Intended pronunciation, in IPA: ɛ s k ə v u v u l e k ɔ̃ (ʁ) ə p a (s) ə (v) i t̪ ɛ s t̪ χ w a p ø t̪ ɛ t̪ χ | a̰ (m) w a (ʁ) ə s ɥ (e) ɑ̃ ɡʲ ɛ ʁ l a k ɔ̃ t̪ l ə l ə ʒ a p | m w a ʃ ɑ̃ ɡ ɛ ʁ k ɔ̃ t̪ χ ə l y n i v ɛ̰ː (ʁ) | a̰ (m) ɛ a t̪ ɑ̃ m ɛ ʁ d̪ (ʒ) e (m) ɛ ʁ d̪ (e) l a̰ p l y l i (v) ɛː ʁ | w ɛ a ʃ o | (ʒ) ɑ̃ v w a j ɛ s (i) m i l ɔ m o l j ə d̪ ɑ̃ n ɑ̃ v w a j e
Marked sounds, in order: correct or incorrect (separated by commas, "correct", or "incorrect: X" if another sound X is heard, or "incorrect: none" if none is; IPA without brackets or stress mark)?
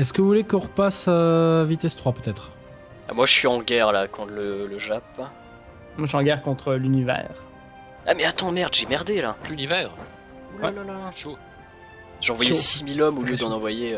correct, correct, correct, correct, incorrect: ʒ, incorrect: i, correct, correct, correct, correct, correct, correct, correct, correct